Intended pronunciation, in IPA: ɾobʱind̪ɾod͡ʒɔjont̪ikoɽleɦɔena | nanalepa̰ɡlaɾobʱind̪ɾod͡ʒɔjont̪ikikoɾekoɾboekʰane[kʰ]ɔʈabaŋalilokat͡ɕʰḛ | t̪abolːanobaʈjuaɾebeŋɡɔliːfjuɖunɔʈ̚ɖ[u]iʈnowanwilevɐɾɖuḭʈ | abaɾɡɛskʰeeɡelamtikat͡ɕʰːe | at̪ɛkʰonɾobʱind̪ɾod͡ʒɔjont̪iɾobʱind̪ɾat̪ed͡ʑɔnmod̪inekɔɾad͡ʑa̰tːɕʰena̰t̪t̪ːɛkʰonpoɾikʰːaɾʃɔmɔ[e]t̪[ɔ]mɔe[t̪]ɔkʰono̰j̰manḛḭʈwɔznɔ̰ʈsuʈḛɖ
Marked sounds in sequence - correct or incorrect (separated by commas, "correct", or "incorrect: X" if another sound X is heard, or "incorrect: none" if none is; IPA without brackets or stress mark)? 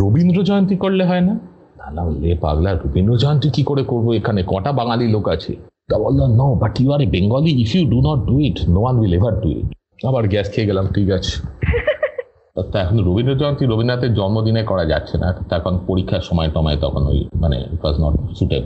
incorrect: k, correct, correct, correct, correct